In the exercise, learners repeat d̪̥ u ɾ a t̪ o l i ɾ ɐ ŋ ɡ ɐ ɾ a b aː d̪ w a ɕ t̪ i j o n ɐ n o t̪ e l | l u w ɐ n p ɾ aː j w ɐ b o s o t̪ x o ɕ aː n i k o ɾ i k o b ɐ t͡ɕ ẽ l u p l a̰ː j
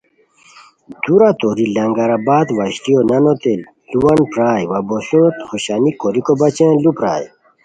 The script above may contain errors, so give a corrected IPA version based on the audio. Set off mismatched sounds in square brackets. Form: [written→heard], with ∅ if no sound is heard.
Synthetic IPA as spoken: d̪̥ u ɾ a t̪ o [l→ɾ] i [ɾ→l] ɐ ŋ ɡ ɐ ɾ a b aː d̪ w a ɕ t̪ i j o n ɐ n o t̪ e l | l u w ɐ n p ɾ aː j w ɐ b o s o t̪ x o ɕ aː n i k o ɾ i k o b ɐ t͡ɕ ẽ l u p [l→ɾ] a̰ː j

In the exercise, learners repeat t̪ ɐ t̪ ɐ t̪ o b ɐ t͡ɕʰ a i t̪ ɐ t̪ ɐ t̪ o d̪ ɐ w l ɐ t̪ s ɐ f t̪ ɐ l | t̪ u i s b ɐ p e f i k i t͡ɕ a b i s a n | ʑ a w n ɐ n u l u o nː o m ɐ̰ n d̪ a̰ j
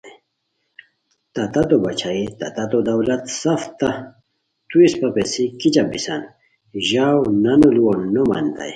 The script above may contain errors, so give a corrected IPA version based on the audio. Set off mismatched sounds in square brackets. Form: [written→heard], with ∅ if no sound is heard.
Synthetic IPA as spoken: t̪ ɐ t̪ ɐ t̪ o b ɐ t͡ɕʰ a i t̪ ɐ t̪ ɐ t̪ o d̪ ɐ w l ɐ t̪ s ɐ f t̪ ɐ [l→∅] | t̪ u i s [b→p] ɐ p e [f→s] i k i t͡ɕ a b i s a n | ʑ a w n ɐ n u l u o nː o m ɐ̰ n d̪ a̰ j

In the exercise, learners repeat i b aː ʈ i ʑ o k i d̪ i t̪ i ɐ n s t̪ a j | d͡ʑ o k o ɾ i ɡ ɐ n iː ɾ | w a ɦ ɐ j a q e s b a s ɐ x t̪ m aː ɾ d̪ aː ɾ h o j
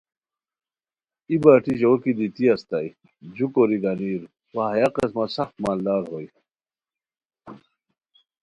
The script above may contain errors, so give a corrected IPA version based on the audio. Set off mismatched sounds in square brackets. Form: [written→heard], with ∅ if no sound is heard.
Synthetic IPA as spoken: i b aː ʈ i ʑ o k i d̪ i t̪ i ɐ [n→∅] s t̪ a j | d͡ʑ [o→u] k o ɾ i ɡ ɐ n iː ɾ | w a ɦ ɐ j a q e s [b→m] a s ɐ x t̪ m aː [ɾ→l] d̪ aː ɾ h o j

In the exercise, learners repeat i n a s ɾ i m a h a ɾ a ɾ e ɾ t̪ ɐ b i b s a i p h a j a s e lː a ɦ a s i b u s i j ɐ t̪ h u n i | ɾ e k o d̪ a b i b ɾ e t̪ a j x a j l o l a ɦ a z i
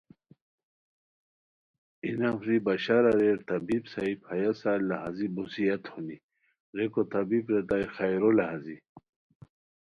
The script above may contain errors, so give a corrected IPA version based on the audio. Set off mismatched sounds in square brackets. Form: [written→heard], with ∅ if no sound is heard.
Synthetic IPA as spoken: i n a [s→f] ɾ i [m→b] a [h→ɕ] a ɾ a ɾ e ɾ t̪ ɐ b i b s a i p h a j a s [e→a] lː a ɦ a [s→z] i b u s i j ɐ t̪ h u n i | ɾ e k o [d̪→t̪] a b i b ɾ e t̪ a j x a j [l→ɾ] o l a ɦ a z i

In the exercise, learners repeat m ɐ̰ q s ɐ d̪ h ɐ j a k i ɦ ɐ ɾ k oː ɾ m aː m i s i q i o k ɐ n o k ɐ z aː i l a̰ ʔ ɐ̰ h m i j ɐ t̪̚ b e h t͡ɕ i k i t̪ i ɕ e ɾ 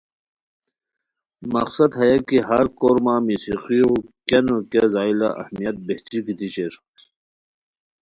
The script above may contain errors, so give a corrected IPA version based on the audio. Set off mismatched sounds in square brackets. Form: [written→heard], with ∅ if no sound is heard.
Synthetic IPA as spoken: m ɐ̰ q s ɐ d̪ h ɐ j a k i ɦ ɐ ɾ k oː ɾ m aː m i s i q i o k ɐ n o k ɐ z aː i l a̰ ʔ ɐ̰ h m i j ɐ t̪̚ b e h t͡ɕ i k i t̪ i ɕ e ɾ

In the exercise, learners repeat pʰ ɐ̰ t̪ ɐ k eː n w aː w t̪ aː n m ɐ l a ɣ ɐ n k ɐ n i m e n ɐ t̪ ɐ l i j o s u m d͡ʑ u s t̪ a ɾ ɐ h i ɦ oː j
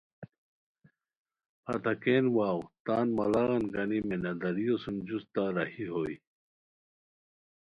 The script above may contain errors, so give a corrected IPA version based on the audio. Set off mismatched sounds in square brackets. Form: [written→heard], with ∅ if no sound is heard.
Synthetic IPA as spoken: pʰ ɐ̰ t̪ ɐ k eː n w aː w t̪ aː n m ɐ l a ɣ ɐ n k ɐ n i m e n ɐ [t̪→d̪] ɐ [l→ɾ] i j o s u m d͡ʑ u s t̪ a ɾ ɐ h i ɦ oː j

